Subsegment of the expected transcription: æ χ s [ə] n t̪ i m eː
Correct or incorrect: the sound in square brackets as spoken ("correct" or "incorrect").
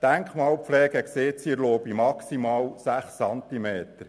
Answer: incorrect